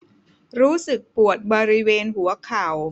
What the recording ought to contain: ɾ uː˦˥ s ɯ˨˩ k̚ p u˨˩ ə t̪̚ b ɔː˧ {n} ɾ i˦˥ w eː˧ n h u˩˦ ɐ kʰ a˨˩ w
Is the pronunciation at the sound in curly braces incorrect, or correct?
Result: incorrect